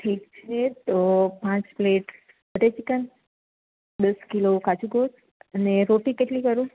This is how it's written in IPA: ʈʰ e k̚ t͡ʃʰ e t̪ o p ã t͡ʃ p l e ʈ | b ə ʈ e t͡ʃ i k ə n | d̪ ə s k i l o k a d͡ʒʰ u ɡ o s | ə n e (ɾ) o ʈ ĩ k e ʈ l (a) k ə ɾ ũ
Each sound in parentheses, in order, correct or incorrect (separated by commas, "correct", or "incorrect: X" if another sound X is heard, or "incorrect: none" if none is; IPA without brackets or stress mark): correct, incorrect: i